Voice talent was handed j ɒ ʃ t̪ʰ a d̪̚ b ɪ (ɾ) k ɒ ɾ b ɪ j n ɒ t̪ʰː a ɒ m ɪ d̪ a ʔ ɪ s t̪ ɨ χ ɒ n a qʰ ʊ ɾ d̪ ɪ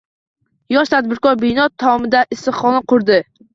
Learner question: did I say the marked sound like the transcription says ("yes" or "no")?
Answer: yes